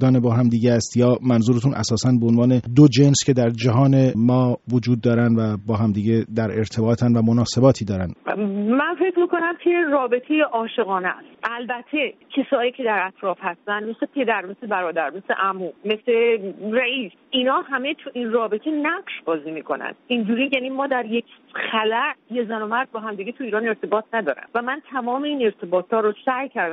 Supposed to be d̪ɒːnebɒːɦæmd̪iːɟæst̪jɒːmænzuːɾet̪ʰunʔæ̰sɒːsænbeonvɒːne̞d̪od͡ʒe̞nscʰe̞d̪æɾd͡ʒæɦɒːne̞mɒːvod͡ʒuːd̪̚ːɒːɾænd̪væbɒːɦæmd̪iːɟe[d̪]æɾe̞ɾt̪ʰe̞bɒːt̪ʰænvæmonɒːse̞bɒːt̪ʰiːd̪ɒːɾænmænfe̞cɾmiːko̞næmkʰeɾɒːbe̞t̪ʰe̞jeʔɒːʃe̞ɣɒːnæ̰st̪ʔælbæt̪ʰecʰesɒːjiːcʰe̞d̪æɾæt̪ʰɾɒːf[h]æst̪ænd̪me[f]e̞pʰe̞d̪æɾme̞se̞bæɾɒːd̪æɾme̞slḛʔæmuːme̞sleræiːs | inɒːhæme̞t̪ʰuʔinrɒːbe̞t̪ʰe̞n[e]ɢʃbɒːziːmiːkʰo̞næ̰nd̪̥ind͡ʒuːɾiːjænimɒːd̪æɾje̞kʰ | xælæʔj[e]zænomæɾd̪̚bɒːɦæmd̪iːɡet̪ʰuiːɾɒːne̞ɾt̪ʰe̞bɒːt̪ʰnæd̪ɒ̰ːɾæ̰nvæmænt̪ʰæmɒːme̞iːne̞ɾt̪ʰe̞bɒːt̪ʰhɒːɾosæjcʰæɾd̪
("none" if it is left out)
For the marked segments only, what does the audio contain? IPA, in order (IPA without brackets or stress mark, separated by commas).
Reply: d̪, h, s, æ, e